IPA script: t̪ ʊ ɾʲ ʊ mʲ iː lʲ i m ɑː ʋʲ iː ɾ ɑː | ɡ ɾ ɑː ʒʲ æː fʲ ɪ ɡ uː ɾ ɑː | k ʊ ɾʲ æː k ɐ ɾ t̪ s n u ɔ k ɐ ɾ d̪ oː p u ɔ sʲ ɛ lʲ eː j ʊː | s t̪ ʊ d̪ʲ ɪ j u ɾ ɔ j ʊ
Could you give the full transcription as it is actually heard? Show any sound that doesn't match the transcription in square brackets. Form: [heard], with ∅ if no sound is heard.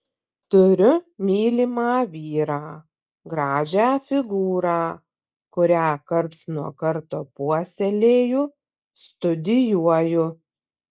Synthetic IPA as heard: t̪ ʊ ɾʲ ʊ mʲ iː lʲ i m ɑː ʋʲ iː ɾ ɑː | ɡ ɾ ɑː ʒʲ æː fʲ ɪ ɡ uː ɾ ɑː | k ʊ ɾʲ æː k ɐ ɾ t̪ s n u ɔ k ɐ ɾ [t̪] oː p u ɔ sʲ ɛ lʲ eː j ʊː | s t̪ ʊ d̪ʲ ɪ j u [∅] ɔ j ʊ